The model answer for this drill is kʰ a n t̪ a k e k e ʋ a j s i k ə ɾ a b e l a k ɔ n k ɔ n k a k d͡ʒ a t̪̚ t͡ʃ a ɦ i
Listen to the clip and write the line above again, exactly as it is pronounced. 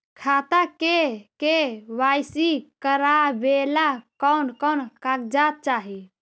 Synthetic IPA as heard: kʰ a t̪ a k e k e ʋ a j s i k ə ɾ a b e l a k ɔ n k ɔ n k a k d͡ʒ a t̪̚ t͡ʃ a ɦ i

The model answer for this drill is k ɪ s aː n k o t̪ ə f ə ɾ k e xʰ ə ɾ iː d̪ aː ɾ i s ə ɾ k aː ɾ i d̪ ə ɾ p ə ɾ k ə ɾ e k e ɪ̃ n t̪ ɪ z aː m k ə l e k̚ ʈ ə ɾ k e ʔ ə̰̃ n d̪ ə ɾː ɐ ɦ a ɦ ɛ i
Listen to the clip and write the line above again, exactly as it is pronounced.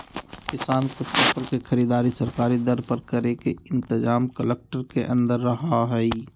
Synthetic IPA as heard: k ɪ s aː n k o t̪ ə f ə ɾ k e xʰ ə ɾ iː d̪ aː ɾ i s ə ɾ k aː ɾ i d̪ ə ɾ p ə ɾ k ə ɾ e k e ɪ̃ n t̪ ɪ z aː m k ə l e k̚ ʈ ə ɾ k e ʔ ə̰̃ n d̪ ə ɾː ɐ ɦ a ɦ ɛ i

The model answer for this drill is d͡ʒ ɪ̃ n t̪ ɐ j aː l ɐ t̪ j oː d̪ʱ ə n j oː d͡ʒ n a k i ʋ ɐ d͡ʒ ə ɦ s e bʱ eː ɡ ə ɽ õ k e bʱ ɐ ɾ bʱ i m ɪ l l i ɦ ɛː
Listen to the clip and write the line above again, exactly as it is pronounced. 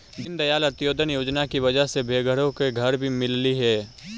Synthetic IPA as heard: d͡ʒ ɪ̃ n d̪ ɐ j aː l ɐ t̪ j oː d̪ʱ ə n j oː d͡ʒ n a k i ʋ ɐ d͡ʒ ə ɦ s e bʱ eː ɡ ə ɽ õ k e ɡʱ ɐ ɾ bʱ i m ɪ l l i ɦ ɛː

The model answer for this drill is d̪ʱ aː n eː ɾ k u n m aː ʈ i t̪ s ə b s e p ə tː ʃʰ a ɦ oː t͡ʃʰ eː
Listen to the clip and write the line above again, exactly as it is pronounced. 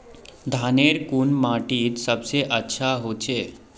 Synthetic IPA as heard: d̪ʱ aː n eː ɾ k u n m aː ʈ i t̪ s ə b s e ʔ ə tː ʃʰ a ɦ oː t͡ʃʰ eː

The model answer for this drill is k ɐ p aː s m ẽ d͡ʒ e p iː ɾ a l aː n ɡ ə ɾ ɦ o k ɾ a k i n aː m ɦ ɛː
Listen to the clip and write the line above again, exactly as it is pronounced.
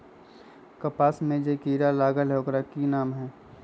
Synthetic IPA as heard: k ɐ p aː s m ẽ d͡ʒ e k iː ɾ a l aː ɡ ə l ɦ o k ɾ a k i n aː m ɦ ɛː

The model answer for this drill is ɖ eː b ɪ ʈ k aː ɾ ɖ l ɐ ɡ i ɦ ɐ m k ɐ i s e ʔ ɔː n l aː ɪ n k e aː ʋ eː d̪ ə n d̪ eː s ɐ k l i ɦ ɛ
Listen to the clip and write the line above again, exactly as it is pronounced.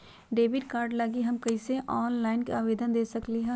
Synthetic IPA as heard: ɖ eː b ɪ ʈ k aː ɾ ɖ l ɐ ɡ i ɦ ɐ m k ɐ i s e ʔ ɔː n l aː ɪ n k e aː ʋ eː d̪ ə n d̪ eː s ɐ k l i ɦ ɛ

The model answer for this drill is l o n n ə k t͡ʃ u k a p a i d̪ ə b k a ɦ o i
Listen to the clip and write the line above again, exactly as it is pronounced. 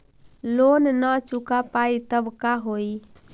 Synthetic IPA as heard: l o n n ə t͡ʃ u k a p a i t̪ ə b k a ɦ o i

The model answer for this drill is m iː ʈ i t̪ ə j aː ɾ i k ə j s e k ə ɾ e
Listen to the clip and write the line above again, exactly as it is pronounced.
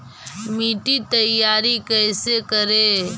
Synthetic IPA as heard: m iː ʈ i t̪ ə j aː ɾ i k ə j s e k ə ɾ e

